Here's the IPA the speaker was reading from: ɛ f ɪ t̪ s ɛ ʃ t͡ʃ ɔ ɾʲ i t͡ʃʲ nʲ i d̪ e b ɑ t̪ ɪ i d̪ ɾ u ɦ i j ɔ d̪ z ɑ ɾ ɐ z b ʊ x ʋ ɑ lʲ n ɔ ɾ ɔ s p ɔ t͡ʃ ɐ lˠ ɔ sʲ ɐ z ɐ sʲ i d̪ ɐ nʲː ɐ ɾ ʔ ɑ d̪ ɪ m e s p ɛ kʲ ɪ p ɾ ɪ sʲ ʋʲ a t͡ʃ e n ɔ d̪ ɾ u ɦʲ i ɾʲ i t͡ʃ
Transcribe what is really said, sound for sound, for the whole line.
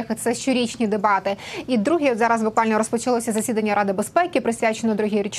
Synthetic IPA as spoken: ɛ x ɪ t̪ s ɛ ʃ t͡ʃ ɔ ɾʲ i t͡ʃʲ nʲ i d̪ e b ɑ t̪ ɪ i d̪ ɾ u ɦ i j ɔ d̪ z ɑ ɾ ɐ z b ʊ k ʋ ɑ lʲ n ɔ ɾ ɔ s p ɔ t͡ʃ ɐ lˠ ɔ sʲ ɐ z ɐ sʲ i d̪ ɐ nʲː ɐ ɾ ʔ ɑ d̪ ɪ b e s p ɛ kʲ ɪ p ɾ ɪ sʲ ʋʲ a t͡ʃ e n ɔ d̪ ɾ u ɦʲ i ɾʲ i t͡ʃ